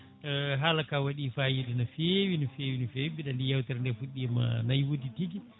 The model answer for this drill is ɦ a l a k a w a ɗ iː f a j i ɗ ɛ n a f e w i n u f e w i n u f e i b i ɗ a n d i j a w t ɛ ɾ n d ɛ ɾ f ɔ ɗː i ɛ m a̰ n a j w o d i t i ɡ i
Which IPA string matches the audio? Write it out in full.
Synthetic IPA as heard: ɦ a l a k a w a ɗ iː f a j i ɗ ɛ n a f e w i n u f e w i n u f e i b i ɗ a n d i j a w t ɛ ɾ n d ɛ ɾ f u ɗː i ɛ m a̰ n a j w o d i t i ɡ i